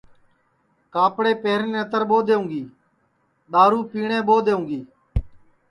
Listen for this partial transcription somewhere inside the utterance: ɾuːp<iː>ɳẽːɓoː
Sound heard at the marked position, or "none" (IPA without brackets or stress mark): iː